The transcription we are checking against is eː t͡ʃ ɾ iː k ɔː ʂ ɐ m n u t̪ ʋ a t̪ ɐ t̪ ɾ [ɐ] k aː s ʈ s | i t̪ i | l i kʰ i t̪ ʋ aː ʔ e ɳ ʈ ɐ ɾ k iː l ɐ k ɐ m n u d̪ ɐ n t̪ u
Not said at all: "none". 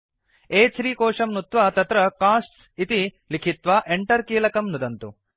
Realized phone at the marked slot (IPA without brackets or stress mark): ɐ